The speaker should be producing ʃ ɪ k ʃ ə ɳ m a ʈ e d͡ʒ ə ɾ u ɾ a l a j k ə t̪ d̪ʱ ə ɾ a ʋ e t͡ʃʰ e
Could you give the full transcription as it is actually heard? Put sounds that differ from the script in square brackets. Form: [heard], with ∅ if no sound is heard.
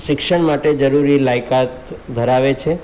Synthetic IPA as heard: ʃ ɪ k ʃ ə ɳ m a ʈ e d͡ʒ ə ɾ u ɾ [i] l a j k [a] t̪ d̪ʱ ə ɾ a ʋ e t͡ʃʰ e